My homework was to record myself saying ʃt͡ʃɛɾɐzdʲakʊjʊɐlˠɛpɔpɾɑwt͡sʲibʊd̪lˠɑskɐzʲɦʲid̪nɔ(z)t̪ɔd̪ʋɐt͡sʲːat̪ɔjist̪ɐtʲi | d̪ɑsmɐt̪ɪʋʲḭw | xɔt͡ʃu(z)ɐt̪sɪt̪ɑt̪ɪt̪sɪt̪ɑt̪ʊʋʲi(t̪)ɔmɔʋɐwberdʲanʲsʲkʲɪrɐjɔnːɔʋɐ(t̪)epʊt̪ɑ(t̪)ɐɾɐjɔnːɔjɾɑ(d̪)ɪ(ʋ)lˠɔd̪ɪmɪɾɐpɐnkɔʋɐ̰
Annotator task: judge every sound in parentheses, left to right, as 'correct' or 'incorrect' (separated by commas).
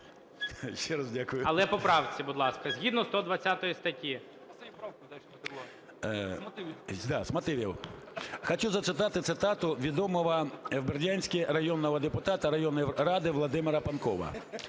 incorrect, correct, incorrect, incorrect, correct, correct, correct